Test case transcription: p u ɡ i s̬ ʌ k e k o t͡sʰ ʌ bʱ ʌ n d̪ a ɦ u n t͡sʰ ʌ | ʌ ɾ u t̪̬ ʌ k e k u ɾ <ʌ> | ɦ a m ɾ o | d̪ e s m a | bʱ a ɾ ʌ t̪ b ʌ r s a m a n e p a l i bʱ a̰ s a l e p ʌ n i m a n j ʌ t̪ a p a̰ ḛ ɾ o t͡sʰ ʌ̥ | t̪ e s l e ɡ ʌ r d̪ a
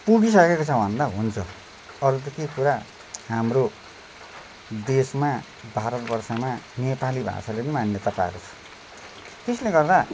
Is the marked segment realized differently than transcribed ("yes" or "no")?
yes